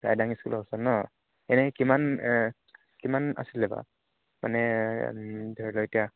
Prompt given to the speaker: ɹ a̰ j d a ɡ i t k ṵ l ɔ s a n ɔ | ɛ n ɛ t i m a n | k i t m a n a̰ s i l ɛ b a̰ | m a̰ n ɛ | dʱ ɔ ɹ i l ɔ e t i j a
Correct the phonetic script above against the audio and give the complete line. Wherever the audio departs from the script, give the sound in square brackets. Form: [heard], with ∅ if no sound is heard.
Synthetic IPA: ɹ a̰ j d a [ŋ] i [s] k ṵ l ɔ s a n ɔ | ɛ n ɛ [k] i m a n | k i [∅] m a n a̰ s i l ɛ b a̰ | m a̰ n ɛ | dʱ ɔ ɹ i l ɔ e t i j a